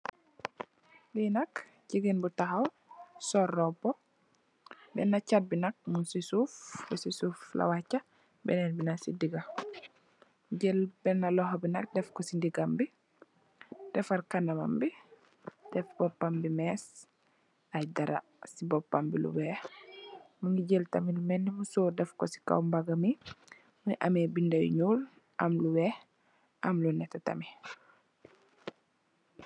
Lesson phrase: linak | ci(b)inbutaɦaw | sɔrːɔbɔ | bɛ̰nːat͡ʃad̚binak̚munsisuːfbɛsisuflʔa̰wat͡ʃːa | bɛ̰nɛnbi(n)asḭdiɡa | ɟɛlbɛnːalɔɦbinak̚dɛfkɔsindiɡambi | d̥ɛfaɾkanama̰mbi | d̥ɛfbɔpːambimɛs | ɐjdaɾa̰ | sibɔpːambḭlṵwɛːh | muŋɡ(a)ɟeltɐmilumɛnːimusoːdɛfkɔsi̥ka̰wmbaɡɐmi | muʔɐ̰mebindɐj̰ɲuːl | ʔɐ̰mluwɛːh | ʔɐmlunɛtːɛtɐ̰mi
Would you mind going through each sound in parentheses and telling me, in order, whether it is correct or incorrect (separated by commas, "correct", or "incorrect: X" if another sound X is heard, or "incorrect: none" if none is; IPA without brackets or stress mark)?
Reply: incorrect: ɡ, correct, incorrect: i